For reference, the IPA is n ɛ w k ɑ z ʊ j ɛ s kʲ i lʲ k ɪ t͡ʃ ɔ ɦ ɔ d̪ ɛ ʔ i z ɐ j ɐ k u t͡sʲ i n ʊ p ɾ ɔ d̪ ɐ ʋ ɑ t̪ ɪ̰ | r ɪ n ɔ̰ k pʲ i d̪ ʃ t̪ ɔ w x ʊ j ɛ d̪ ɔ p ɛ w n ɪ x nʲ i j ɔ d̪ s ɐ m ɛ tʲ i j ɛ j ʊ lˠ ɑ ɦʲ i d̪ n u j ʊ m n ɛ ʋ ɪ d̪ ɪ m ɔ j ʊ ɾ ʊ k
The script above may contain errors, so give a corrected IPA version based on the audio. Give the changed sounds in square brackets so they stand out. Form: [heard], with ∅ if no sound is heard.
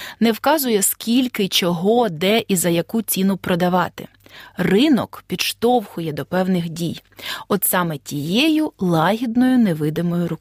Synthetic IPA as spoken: n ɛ w k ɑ z ʊ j ɛ s kʲ i lʲ k ɪ t͡ʃ ɔ ɦ ɔ d̪ ɛ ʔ i z ɐ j ɐ k u t͡sʲ i n ʊ p ɾ ɔ d̪ ɐ ʋ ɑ t̪ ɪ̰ | r ɪ n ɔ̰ k pʲ i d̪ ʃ t̪ ɔ w x ʊ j ɛ d̪ ɔ p ɛ w n ɪ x [dʲ] i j ɔ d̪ s [ɑ] m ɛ tʲ i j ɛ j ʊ lˠ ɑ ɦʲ i d̪ n [ɔ] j ʊ [∅] n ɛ ʋ ɪ d̪ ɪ m ɔ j ʊ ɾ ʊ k